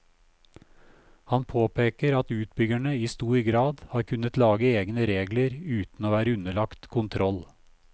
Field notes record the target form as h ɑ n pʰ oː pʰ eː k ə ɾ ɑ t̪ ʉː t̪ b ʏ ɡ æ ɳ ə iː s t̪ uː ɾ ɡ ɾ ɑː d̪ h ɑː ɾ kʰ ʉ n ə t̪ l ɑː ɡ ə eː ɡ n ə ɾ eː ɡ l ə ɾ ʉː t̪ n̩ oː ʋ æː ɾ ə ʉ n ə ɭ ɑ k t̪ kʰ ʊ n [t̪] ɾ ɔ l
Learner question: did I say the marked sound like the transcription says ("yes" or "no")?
no